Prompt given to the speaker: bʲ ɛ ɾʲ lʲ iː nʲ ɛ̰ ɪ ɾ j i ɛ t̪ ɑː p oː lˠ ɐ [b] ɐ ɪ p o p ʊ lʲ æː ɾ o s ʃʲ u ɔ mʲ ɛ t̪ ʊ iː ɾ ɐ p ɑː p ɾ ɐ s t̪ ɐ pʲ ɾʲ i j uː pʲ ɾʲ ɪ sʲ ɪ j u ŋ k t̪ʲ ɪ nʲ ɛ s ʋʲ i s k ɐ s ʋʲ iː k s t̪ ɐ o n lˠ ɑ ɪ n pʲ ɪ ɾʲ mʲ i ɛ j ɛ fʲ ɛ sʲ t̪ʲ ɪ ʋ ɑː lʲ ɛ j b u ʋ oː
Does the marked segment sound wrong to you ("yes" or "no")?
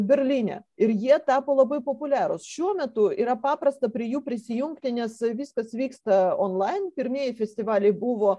no